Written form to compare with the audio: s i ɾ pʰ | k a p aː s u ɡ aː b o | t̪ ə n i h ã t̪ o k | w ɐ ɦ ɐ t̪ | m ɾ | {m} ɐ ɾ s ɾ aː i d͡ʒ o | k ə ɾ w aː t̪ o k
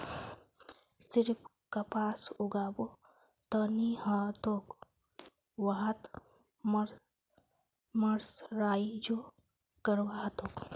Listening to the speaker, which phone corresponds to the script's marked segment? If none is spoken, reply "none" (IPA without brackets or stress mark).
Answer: m